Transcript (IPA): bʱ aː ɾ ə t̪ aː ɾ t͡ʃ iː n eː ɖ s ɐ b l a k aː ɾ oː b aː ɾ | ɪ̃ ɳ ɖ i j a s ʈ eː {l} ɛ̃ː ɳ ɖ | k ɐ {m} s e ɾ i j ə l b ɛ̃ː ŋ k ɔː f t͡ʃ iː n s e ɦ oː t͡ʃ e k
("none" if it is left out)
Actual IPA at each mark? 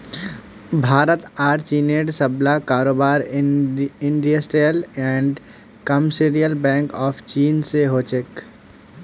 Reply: l, m

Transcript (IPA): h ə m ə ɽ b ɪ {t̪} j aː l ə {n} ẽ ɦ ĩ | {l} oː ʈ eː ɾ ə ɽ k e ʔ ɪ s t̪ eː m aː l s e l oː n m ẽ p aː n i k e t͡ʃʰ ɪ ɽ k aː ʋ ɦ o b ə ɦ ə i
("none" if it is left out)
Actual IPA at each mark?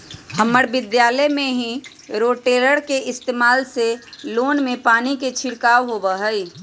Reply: d̪, m, ɾ

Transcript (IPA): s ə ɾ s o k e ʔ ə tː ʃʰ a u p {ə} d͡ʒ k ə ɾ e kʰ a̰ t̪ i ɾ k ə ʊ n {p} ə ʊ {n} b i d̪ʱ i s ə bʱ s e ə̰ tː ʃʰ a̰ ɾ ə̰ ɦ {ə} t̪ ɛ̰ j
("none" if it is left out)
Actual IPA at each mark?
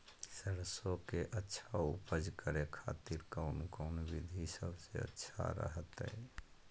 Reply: ə, k, n, ə

